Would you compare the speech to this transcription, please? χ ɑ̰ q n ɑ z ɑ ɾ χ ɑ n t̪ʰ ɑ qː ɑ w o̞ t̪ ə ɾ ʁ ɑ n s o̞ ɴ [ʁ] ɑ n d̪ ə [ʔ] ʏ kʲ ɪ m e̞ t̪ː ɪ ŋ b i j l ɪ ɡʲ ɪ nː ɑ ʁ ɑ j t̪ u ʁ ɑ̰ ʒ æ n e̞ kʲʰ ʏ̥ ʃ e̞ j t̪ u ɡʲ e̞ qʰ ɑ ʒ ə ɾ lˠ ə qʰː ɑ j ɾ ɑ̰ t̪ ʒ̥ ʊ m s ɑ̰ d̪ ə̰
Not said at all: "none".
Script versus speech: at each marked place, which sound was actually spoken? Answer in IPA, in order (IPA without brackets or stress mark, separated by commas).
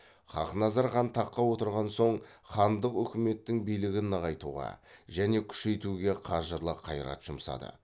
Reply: χ, q